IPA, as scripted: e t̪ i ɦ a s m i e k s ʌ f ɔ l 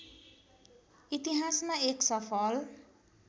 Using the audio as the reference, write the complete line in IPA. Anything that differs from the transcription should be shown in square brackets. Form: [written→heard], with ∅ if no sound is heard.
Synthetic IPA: [e→i] t̪ i ɦ a s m [i→a] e k s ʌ f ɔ l